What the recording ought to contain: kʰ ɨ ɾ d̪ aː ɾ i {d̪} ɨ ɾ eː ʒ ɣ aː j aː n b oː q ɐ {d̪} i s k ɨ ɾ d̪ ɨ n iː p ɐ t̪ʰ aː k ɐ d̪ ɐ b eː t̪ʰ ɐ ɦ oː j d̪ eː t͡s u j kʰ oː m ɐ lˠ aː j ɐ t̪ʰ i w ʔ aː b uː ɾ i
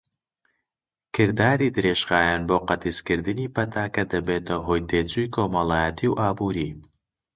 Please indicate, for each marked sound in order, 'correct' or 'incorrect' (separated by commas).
correct, incorrect